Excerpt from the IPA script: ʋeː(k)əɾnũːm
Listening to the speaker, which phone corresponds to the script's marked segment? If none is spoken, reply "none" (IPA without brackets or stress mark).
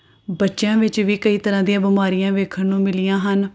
kʰ